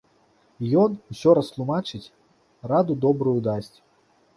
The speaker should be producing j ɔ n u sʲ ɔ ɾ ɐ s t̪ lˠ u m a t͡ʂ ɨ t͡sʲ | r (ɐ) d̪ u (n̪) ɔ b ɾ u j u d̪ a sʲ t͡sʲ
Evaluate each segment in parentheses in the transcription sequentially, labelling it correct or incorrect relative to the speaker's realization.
incorrect, incorrect

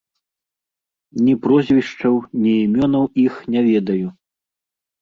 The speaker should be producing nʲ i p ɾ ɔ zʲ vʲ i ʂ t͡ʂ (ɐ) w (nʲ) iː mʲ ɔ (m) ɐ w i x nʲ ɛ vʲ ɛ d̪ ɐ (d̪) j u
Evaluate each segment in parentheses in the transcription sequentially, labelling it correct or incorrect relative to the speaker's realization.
correct, correct, incorrect, incorrect

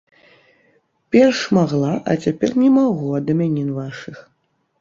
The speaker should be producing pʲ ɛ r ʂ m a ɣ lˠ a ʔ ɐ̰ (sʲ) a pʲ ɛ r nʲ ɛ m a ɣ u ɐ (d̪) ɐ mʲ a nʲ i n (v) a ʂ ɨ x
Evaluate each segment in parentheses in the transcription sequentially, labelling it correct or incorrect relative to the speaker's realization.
incorrect, correct, correct

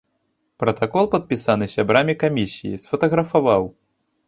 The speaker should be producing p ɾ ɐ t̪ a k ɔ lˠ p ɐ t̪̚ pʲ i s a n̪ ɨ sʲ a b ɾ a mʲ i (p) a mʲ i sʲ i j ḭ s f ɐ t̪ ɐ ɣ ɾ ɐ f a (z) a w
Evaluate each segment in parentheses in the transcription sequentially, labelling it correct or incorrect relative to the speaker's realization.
incorrect, incorrect

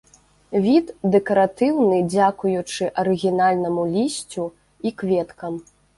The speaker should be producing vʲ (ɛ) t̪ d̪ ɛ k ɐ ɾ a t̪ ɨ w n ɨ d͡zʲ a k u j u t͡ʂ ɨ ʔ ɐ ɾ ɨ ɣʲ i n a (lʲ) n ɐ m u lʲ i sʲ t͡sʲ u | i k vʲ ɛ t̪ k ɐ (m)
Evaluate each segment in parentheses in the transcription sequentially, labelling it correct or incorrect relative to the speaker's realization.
incorrect, correct, correct

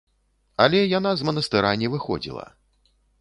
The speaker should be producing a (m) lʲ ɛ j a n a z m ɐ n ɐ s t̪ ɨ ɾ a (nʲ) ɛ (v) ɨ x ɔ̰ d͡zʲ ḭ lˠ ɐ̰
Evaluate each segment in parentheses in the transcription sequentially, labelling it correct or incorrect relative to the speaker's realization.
incorrect, correct, correct

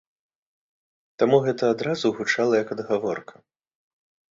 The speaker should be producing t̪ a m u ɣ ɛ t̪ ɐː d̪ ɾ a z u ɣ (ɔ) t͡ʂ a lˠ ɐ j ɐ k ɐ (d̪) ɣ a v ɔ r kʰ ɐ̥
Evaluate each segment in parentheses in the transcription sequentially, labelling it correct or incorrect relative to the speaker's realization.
incorrect, correct

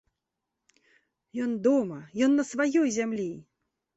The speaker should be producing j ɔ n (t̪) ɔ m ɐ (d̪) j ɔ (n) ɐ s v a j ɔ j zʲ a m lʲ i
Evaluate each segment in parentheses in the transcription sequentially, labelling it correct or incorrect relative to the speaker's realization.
incorrect, incorrect, incorrect

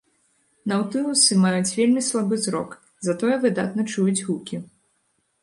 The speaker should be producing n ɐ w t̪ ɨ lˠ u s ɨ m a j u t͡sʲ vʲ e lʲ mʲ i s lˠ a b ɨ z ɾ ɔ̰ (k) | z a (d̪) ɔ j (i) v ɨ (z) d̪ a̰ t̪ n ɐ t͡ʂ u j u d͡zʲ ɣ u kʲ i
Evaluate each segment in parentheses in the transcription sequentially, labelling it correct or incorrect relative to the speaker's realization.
correct, incorrect, incorrect, incorrect

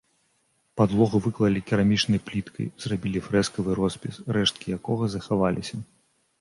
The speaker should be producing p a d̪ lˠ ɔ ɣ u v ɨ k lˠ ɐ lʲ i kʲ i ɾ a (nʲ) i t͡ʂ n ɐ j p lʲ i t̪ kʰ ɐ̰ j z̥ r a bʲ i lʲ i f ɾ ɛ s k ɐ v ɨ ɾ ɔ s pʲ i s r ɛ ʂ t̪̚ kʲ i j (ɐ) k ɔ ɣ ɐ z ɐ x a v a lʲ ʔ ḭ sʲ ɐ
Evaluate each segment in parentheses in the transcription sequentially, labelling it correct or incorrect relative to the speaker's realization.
incorrect, incorrect

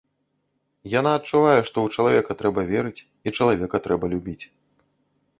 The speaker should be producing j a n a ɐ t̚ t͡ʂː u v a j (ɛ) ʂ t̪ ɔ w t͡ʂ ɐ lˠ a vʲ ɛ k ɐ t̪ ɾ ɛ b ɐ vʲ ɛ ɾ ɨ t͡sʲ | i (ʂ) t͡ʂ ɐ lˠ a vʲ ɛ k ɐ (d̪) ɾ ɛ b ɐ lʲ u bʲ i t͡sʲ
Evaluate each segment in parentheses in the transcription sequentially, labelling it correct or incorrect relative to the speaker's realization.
correct, incorrect, incorrect

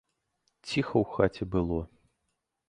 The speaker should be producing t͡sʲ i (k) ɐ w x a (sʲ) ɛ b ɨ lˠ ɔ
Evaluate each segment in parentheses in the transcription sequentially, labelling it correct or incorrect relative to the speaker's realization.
incorrect, incorrect

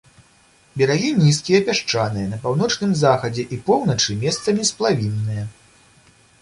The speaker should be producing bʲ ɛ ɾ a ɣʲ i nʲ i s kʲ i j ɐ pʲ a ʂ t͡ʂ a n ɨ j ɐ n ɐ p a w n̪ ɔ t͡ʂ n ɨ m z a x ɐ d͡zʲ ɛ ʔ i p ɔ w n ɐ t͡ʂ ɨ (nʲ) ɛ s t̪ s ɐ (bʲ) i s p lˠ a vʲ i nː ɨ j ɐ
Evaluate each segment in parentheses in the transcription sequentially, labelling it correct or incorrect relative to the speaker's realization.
incorrect, incorrect

